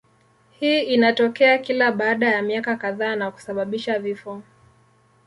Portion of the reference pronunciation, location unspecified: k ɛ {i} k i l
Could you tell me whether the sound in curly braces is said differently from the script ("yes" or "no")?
yes